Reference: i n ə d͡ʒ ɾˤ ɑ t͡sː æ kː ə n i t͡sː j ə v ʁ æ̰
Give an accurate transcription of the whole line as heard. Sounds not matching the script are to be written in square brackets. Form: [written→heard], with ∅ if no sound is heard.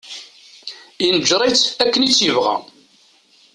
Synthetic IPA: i n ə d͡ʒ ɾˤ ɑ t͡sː æ kː ə n i t͡sː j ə v ʁ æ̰

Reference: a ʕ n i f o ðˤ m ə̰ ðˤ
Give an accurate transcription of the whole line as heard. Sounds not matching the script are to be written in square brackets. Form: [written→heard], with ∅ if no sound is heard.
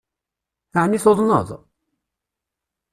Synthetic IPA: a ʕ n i [f→θ] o ðˤ [m→n] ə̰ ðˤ

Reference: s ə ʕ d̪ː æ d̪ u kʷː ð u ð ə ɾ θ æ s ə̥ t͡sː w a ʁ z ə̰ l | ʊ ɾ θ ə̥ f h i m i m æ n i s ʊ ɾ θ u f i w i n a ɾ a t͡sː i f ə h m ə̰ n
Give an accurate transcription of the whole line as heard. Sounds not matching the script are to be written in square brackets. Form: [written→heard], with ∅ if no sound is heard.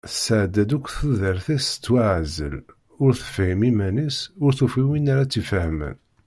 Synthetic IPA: s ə ʕ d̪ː æ d̪ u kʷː [ð→θ] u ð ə ɾ θ æ s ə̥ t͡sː w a [ʁ→ʕ] z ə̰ l | ʊ ɾ θ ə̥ f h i m i m æ n i s ʊ ɾ θ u f i w i n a ɾ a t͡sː i f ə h m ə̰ n

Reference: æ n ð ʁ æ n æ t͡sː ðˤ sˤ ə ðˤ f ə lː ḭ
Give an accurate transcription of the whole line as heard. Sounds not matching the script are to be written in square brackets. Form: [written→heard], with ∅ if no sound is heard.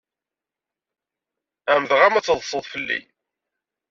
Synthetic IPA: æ [n→m] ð ʁ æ [n→m] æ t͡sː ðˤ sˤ ə ðˤ f ə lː ḭ

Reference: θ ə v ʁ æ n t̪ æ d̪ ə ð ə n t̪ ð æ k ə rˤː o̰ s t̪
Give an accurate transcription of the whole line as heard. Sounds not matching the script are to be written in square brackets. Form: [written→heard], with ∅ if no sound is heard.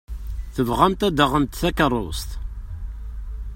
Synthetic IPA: θ ə v ʁ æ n t̪ æ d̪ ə [ð→ʁ] ə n t̪ [ð→θ] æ k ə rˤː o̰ s t̪

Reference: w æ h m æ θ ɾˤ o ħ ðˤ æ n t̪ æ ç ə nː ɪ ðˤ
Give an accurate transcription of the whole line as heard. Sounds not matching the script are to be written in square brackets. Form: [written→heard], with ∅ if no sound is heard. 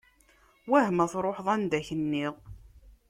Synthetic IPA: w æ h m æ θ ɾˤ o ħ ðˤ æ n [t̪→d̪] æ ç ə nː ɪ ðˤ

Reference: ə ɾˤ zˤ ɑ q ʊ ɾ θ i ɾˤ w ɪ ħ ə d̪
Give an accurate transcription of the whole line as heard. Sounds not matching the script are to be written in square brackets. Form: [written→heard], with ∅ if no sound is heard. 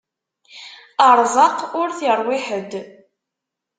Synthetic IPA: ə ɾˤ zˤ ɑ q ʊ ɾ θ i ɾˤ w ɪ ħ ə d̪

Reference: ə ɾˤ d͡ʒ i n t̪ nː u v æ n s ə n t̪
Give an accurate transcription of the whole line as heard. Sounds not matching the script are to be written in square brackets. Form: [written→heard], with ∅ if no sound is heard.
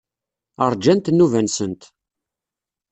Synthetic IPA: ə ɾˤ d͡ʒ [i→æ] n t̪ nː u v æ n s ə n t̪

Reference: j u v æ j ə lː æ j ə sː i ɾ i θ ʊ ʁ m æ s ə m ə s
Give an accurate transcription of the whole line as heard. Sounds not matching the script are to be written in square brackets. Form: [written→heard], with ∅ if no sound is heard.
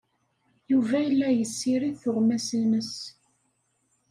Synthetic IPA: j u v æ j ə lː æ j ə sː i ɾ i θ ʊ ʁ m æ s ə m ə s

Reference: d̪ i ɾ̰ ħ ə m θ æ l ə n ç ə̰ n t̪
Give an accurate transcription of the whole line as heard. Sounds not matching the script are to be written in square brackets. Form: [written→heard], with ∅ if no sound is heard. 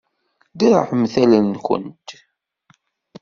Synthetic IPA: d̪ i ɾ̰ ħ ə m θ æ l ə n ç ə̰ n t̪

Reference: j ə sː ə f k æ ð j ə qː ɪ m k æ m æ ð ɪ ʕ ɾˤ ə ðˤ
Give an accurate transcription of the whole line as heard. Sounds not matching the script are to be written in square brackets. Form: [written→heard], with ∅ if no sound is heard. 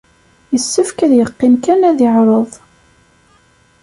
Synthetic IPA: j ə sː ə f k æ ð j ə qː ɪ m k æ [m→n] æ ð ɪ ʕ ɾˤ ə ðˤ

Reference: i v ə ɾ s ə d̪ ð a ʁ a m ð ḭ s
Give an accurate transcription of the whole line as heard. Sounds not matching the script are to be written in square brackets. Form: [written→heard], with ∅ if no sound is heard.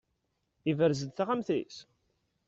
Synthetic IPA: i v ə ɾ [s→z] ə d̪ [ð→θ] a ʁ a m [ð→θ] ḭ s

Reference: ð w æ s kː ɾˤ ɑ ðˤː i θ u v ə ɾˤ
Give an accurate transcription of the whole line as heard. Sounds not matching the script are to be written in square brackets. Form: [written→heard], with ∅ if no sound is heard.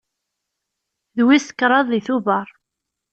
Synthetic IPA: ð w [æ→i] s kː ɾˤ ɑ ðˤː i θ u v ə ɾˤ

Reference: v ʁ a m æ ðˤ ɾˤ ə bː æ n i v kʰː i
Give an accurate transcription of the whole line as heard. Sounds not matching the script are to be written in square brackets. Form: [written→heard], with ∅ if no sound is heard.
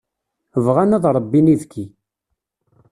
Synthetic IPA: v ʁ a [m→n] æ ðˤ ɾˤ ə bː [æ→i] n i [v→ð] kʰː i

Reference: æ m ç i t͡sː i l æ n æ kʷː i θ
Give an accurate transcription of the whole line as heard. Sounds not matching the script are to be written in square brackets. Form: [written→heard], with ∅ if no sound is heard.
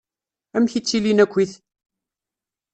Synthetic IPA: æ m ç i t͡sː i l [æ→i] n æ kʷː i θ

